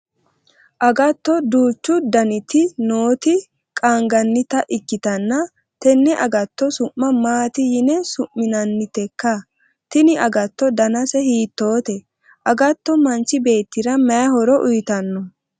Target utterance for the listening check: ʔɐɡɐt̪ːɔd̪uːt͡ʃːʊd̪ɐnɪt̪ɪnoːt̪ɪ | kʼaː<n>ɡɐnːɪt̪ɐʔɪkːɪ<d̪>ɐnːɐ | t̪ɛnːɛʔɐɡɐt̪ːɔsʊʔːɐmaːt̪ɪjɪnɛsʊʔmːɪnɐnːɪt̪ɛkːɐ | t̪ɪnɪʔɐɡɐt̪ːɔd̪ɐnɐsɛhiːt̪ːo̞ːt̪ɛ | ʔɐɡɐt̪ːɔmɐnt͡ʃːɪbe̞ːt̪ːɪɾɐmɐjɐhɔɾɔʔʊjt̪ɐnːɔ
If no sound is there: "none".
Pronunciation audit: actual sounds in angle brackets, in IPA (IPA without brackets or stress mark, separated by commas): ŋ, t̪